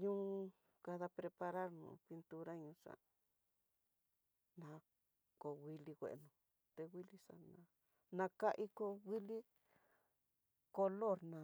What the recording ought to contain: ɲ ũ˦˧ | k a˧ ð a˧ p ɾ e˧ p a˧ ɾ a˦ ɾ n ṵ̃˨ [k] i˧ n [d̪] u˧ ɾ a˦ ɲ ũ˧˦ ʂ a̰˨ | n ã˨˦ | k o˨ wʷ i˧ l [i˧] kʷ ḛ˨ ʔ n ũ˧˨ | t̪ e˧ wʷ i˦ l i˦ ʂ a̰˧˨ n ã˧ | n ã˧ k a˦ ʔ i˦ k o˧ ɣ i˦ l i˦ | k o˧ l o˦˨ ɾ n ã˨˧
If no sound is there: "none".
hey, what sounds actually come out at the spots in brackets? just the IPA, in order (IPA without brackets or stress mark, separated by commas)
p, t̪, i˧